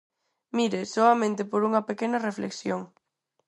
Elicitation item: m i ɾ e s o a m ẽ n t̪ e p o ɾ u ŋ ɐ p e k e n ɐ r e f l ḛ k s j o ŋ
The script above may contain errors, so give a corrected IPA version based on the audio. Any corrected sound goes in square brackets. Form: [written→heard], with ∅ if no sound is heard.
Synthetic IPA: m i ɾ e s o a m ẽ n t̪ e p o ɾ u ŋ ɐ p e k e n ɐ r e f l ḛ k s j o ŋ